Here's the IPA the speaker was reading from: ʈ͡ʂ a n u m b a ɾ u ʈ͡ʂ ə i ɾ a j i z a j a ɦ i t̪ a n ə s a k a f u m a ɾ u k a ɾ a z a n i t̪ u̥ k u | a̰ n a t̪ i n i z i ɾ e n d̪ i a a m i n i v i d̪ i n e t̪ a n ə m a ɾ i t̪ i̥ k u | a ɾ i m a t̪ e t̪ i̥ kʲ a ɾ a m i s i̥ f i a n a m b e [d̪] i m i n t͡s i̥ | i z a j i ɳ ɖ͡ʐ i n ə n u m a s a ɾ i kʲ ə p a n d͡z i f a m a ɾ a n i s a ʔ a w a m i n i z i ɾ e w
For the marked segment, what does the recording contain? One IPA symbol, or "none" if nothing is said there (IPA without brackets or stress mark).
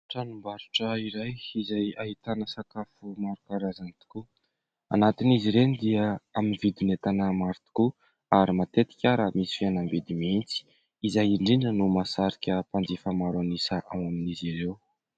d̪